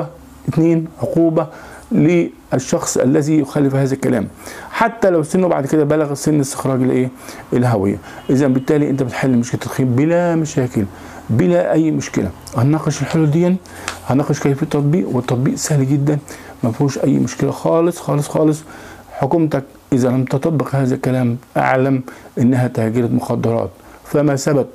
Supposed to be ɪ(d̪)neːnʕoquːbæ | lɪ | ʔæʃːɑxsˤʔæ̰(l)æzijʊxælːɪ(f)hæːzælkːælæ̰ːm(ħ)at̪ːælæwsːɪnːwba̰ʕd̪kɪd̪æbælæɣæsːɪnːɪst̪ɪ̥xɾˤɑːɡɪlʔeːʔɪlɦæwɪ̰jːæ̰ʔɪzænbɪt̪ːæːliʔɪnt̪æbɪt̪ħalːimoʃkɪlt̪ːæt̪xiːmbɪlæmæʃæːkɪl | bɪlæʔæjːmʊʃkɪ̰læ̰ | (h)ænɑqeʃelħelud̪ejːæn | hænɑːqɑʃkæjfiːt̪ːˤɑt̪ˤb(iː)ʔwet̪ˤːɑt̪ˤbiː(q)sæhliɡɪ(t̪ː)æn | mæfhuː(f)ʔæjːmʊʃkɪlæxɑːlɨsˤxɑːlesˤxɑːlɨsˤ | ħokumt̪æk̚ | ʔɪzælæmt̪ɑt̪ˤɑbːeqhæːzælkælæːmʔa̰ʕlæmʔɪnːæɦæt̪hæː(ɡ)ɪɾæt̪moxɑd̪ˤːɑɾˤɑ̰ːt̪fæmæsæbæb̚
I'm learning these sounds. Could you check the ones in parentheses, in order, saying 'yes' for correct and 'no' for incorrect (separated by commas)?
no, no, yes, yes, yes, yes, no, no, no, yes